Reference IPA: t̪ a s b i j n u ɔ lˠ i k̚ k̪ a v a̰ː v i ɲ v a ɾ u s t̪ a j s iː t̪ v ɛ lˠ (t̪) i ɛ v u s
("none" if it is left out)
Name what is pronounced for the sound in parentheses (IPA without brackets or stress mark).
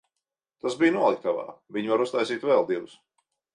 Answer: d̪